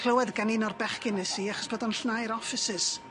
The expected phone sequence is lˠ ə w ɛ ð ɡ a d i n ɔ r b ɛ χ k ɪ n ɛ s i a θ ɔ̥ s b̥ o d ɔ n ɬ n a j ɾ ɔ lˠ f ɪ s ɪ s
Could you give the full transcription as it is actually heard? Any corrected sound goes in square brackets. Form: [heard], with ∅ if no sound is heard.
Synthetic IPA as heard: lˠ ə w ɛ ð ɡ a [n] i n ɔ r b ɛ χ k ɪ n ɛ s i a [χ] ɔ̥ s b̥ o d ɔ n ɬ n a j ɾ ɔ [∅] f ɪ s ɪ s